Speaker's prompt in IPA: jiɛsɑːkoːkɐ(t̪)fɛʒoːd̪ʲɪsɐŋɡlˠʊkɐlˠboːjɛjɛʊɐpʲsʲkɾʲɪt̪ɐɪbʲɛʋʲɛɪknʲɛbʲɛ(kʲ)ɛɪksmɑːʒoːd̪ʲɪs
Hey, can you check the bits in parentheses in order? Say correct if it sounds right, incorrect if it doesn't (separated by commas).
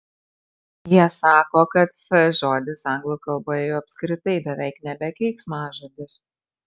correct, correct